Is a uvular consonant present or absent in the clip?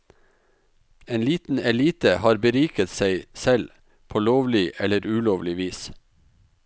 absent